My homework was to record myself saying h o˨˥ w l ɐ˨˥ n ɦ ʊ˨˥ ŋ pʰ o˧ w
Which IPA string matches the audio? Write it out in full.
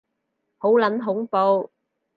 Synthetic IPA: h o˨˥ w l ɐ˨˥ n ɦ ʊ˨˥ ŋ p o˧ w